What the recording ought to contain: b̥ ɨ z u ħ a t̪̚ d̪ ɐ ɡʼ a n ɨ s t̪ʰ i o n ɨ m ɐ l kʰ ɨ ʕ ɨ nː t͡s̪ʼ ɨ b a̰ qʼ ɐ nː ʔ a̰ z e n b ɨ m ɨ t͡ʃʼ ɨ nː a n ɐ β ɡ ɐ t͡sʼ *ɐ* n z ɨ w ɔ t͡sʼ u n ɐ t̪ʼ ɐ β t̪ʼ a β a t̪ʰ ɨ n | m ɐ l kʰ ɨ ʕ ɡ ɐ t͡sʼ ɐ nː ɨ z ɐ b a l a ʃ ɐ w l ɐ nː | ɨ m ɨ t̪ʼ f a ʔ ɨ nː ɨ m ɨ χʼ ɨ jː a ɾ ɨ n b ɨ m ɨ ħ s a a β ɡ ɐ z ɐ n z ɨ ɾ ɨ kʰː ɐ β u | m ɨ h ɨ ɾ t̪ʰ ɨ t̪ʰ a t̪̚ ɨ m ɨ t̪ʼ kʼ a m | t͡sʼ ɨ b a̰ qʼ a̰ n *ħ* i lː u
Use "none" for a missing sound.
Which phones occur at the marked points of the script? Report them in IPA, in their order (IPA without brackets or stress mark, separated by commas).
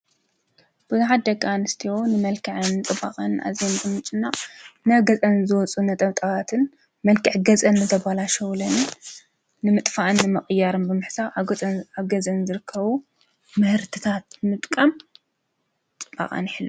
ɐ, ħ